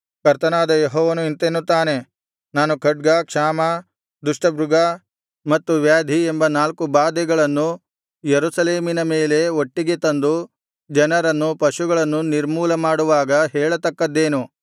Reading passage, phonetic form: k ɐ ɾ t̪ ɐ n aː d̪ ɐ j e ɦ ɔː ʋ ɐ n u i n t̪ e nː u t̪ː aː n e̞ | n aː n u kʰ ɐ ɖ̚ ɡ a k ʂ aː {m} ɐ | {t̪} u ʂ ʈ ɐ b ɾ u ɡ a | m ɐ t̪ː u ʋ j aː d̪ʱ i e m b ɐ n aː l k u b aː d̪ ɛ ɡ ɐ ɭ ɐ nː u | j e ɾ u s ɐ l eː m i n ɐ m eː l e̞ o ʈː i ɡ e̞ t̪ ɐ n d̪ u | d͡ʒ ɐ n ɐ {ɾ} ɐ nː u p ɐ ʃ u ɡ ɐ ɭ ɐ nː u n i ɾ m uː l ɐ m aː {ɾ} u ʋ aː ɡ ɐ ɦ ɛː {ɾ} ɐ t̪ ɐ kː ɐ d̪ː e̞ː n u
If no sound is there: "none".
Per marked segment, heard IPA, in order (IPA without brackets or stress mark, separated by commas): m, d̪, ɾ, ɽ, ɭ